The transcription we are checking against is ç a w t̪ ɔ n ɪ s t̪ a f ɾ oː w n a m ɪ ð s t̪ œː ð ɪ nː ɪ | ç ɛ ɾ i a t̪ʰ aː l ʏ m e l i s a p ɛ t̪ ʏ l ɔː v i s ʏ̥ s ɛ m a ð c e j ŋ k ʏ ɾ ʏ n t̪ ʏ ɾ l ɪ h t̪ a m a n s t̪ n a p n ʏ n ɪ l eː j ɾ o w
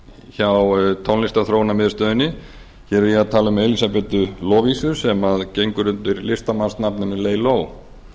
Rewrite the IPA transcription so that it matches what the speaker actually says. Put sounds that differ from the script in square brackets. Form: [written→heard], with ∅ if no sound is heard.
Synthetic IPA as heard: ç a w [t̪→t̪ʰ] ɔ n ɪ s t̪ a [f→θ] ɾ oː w n a m ɪ ð s t̪ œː ð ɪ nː ɪ | ç ɛ ɾ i a t̪ʰ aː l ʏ m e l i s a p ɛ t̪ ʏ l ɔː v i s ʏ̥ s ɛ m a ð c e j ŋ k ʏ ɾ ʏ n t̪ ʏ ɾ l ɪ [h→s] t̪ a m a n s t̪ n a p n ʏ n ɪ l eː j [ɾ→l] o w